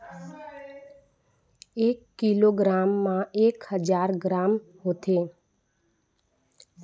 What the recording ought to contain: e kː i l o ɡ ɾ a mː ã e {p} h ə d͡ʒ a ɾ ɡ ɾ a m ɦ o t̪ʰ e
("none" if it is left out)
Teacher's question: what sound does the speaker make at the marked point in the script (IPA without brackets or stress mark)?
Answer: k